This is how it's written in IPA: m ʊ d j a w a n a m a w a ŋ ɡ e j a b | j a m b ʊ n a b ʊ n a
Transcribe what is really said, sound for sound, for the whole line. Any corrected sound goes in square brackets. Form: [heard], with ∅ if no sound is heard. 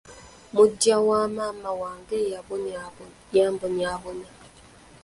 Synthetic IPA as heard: m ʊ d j a w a [m] a m a w a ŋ ɡ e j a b | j a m b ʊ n a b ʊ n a